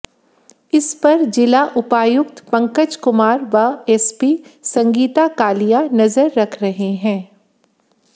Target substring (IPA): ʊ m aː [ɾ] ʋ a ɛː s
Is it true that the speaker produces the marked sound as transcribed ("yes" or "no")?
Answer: yes